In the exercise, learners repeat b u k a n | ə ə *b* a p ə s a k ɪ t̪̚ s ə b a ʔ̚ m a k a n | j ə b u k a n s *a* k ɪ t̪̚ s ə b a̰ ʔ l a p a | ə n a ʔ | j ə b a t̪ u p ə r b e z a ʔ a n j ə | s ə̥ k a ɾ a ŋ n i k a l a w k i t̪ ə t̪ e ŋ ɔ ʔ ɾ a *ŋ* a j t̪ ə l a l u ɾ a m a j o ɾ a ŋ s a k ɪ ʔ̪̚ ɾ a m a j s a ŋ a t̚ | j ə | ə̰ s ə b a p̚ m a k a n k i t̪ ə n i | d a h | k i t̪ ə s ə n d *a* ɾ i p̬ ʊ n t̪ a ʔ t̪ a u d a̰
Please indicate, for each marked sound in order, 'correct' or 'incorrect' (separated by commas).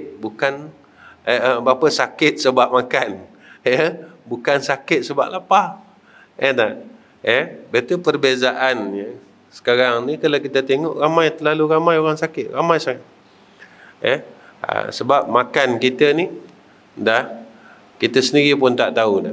correct, correct, incorrect, incorrect